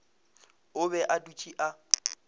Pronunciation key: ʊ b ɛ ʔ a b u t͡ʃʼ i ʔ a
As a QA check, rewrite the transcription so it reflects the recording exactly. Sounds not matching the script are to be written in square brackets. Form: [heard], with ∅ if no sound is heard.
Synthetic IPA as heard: ʊ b ɛ ʔ a [d] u t͡ʃʼ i ʔ a